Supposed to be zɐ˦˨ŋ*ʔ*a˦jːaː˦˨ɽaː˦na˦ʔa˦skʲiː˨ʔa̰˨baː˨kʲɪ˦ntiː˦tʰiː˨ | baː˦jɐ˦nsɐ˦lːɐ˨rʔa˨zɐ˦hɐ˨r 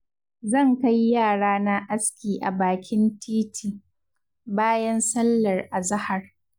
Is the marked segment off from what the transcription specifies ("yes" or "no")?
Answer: yes